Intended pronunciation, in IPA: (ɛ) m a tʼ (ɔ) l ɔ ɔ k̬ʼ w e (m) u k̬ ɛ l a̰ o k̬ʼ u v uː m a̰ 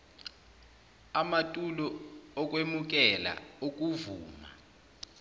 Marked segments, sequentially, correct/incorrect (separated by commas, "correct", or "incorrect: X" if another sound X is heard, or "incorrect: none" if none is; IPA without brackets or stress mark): incorrect: a, incorrect: u, correct